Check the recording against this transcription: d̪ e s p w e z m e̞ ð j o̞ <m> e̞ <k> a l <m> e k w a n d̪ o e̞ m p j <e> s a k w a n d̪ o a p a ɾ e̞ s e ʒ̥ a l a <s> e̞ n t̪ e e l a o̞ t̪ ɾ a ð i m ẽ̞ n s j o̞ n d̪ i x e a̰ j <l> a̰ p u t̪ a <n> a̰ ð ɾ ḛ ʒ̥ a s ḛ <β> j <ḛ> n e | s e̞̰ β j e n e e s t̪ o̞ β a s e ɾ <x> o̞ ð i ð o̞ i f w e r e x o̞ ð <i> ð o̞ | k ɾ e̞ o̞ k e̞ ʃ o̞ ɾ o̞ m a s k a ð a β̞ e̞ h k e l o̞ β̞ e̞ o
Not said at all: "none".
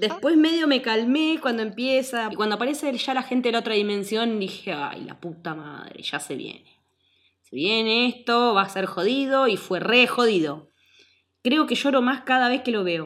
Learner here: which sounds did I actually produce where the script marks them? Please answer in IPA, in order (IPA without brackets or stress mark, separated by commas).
m, k, m, e, x, l, m, β, ḛ, x, i